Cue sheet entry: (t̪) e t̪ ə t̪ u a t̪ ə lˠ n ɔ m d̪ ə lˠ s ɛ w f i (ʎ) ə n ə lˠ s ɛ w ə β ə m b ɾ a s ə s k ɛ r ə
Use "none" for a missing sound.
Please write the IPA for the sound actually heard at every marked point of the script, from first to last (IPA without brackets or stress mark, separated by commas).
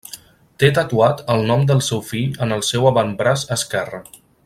t̪, ʎ